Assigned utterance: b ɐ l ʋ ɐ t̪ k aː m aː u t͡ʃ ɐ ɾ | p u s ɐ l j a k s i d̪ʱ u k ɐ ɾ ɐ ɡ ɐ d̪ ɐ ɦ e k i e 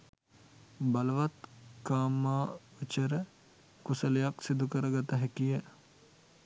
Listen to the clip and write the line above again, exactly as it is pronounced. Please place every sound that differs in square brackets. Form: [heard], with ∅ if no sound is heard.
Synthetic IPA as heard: b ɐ l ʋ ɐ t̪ k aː m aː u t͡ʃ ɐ ɾ | [k] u s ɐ l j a k s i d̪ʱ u k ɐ ɾ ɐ ɡ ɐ [t̪] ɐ ɦ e k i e